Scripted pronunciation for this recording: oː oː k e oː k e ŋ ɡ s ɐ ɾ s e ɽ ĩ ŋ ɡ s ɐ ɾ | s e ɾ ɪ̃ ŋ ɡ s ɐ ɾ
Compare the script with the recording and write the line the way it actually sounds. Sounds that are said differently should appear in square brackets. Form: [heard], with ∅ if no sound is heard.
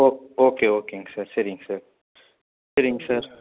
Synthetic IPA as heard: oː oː k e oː k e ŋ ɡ s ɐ ɾ s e [ɾ] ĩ ŋ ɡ s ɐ ɾ | s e ɾ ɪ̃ ŋ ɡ s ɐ ɾ